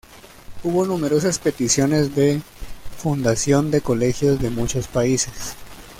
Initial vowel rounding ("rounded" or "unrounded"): rounded